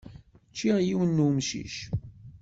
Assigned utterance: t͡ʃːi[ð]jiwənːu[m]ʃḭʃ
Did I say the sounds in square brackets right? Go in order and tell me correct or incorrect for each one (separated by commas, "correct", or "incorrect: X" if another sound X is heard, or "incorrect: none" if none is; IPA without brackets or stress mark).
incorrect: ʁ, correct